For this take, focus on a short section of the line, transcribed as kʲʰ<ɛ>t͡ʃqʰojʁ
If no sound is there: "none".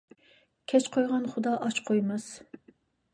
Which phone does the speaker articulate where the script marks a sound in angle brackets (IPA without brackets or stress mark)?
ɛ